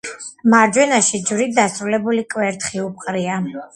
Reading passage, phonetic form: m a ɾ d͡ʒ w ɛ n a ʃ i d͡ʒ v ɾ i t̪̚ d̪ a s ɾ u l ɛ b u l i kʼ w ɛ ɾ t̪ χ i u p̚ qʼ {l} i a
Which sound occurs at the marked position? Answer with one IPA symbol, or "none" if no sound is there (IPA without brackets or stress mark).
ɾ